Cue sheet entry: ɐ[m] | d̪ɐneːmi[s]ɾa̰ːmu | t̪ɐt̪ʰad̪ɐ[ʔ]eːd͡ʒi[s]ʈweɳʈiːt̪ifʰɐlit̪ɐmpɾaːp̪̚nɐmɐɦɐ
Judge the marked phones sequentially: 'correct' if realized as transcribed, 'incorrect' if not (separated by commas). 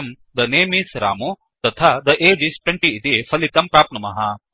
correct, correct, correct, correct